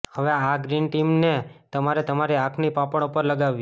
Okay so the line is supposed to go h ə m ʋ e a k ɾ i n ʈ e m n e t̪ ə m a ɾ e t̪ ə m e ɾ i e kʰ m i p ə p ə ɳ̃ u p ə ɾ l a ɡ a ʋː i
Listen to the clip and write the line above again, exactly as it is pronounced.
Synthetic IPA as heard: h ə ʋ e a ɡ ɾ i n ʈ i m n e t̪ ə m a ɾ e t̪ ə m a ɾ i a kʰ n i p a p ə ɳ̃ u p ə ɾ l ə ɡ a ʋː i